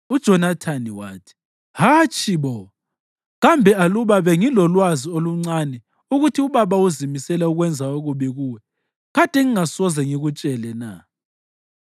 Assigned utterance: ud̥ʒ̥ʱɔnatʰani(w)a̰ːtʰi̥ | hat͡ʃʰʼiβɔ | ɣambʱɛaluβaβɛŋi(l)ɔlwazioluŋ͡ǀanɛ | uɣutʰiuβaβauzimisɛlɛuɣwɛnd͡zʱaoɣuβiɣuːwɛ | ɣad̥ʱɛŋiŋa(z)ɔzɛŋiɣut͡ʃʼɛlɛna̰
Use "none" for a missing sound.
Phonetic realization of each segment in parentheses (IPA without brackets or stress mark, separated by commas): w, l, s